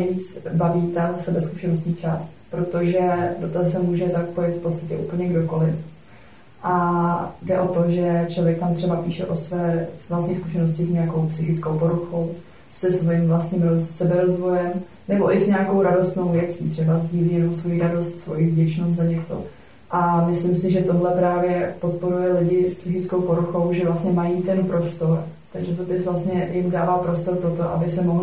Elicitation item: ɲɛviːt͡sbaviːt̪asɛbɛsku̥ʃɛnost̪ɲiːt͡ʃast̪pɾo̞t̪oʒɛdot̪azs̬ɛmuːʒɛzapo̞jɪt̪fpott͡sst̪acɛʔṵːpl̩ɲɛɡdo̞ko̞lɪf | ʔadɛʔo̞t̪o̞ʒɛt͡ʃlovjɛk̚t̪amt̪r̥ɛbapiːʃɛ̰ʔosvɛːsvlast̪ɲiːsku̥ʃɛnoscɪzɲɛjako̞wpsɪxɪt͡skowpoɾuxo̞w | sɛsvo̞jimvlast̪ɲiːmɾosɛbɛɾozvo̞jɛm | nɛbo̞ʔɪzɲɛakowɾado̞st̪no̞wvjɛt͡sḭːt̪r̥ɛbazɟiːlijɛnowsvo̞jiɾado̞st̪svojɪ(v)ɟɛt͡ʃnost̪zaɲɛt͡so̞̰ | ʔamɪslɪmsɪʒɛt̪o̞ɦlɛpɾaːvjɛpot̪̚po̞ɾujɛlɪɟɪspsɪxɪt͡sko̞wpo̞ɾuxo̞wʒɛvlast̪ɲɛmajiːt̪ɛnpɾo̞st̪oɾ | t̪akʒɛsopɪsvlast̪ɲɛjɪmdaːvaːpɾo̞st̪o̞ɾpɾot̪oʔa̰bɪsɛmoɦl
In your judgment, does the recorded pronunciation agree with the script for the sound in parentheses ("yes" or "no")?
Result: yes